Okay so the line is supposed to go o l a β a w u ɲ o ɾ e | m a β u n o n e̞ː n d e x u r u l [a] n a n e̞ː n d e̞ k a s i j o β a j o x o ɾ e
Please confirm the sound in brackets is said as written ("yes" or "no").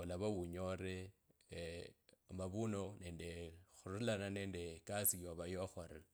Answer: yes